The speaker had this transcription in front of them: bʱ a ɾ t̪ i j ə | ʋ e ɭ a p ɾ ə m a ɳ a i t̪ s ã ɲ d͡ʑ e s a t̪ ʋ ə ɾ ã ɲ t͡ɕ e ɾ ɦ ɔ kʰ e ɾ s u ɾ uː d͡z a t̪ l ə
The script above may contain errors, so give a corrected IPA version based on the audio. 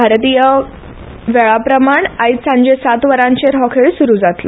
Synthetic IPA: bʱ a ɾ t̪ i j ə | ʋ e ɭ a p ɾ ə m a ɳ a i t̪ s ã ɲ d͡ʑ e s a t̪ ʋ ə ɾ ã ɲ t͡ɕ e ɾ ɦ ɔ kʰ e ɭ s u ɾ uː d͡z a t̪ l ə